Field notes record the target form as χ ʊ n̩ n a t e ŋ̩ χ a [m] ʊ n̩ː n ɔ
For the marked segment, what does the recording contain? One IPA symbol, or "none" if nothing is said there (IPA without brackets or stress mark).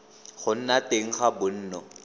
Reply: b